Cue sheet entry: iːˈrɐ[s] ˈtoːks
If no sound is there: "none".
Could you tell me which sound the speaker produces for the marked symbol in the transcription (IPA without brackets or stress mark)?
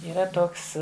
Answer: none